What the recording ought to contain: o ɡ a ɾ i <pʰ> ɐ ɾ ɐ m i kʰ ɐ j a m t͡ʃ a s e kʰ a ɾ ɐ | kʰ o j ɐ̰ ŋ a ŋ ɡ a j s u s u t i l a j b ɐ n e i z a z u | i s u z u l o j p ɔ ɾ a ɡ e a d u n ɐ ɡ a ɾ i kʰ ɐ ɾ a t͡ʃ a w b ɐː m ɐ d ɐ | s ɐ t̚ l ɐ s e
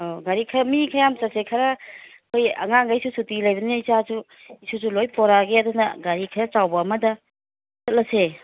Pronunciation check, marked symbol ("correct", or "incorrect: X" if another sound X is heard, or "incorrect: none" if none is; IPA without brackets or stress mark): incorrect: kʰ